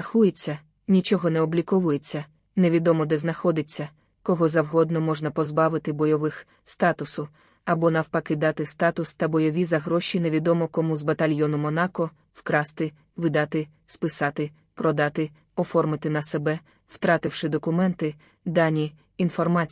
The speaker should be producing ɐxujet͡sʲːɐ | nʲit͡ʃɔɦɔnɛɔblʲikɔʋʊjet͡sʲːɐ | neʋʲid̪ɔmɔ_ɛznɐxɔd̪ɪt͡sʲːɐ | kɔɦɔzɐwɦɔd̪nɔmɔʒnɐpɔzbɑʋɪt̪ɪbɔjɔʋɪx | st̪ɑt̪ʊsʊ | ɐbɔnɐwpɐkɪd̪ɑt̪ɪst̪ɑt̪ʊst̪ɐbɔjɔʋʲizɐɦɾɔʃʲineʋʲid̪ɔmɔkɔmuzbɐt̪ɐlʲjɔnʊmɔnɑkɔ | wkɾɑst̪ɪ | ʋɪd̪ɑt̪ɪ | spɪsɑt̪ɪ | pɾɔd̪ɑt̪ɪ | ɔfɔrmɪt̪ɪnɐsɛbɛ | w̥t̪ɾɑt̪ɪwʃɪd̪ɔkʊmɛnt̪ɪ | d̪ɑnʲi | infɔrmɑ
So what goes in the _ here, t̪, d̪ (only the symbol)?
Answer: d̪